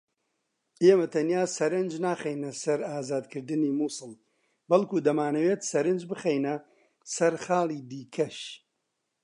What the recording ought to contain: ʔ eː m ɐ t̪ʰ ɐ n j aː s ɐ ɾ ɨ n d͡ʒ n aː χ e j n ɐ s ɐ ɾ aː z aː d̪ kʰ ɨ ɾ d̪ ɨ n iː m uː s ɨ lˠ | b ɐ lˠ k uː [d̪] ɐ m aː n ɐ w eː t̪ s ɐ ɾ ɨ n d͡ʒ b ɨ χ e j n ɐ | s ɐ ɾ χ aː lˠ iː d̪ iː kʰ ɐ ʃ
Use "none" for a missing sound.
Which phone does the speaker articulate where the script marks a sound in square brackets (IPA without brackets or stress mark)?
d̪